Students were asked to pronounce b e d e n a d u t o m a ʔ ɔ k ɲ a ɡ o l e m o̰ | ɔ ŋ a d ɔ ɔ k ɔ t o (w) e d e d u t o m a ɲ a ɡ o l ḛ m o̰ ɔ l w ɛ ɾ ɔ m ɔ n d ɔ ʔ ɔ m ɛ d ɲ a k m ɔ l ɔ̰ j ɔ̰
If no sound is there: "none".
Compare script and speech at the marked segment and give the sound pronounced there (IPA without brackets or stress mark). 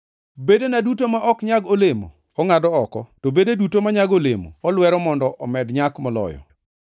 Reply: b